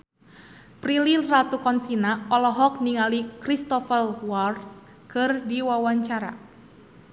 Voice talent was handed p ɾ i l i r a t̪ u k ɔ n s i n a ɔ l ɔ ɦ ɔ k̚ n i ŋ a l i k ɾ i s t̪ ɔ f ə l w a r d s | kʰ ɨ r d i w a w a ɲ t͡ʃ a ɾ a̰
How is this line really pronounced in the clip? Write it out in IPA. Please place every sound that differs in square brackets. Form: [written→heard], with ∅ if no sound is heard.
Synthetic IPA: p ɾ i l i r a t̪ u k ɔ n s i n a ɔ l ɔ ɦ ɔ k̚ n i ŋ a l i k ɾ i s t̪ ɔ f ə l w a r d s | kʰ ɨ r d i w a w a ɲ t͡ʃ a ɾ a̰